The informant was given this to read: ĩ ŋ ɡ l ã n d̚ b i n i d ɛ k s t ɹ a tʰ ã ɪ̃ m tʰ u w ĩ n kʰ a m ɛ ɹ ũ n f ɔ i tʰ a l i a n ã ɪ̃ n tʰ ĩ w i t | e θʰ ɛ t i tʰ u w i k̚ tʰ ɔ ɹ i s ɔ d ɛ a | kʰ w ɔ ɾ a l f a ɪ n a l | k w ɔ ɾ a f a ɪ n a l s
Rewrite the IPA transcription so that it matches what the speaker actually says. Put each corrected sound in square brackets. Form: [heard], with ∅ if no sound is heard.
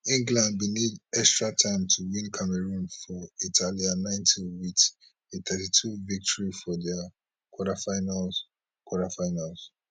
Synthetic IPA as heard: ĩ ŋ ɡ l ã n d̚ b i n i d ɛ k s t ɹ a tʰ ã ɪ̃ m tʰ u w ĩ n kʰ a m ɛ ɹ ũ n f ɔ i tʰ a l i a n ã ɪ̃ n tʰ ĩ w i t | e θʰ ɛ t i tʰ u [v] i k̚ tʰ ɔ ɹ i [f] ɔ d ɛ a | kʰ w ɔ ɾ a [∅] f a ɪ n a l | k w ɔ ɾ a f a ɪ n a l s